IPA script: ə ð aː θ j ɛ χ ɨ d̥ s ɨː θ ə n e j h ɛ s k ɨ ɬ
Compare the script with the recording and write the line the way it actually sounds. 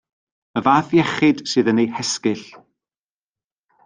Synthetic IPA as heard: ə v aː θ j ɛ χ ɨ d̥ s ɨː ð ə n e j h ɛ s k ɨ ɬ